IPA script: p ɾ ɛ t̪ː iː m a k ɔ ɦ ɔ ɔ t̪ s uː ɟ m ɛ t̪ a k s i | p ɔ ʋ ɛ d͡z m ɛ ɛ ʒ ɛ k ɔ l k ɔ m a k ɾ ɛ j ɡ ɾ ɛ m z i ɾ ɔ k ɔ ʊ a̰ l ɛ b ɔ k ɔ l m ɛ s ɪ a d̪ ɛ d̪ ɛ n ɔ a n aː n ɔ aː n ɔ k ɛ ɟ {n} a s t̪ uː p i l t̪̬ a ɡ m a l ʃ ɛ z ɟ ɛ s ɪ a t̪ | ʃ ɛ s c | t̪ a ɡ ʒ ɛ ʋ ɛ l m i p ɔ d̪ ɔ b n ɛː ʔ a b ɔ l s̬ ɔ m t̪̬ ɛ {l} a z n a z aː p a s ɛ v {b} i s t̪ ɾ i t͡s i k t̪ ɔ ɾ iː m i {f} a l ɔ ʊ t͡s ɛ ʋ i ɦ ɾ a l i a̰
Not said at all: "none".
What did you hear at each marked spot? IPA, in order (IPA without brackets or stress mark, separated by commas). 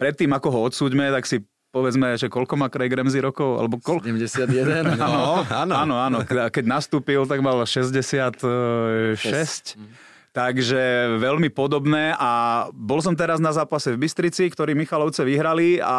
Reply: n, ɾ, b, x